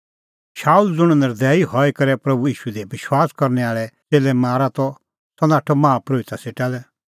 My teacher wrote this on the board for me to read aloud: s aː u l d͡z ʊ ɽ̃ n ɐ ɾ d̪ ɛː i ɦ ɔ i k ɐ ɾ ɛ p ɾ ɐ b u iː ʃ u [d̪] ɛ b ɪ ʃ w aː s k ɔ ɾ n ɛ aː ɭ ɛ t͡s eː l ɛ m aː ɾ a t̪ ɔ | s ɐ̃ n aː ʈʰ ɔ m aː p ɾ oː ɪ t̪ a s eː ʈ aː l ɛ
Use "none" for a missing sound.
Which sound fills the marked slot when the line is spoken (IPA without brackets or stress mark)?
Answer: d̪